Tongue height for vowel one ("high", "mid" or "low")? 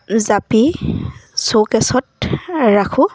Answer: low